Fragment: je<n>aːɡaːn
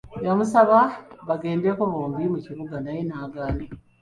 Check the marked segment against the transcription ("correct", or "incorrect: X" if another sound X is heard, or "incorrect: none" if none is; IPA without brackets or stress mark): correct